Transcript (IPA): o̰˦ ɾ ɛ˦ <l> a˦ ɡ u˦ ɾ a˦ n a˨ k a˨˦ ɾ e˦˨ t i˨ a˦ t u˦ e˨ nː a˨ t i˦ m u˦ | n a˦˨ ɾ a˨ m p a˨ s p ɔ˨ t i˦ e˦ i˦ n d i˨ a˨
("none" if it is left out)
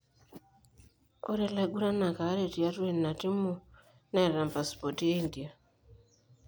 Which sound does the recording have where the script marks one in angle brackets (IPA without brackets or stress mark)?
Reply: l